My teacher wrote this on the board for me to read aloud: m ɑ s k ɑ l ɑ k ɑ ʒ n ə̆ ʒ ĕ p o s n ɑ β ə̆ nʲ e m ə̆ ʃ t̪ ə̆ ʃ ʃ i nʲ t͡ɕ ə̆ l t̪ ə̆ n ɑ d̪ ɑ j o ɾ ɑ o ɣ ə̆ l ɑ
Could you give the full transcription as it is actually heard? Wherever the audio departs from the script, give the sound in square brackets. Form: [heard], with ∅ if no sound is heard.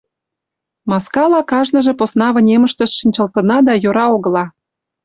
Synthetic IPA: m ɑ s k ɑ l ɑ k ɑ ʒ n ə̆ ʒ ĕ p o s n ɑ β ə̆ nʲ e m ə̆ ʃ t̪ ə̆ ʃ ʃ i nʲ t͡ɕ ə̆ l t̪ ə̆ n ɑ d̪ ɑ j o ɾ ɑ o ɣ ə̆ l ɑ